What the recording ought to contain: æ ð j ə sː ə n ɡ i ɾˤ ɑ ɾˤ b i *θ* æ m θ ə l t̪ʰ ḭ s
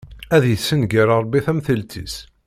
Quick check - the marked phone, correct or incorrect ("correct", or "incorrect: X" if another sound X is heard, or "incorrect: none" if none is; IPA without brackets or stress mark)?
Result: correct